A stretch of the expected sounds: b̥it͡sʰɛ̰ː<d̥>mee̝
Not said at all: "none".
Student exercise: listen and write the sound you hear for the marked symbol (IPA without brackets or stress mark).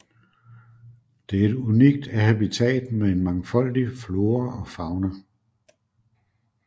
d̥